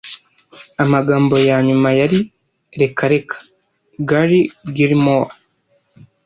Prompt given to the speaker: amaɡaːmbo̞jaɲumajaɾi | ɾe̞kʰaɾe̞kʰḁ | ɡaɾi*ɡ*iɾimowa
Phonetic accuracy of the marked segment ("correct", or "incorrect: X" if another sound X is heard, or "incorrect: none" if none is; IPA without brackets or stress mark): correct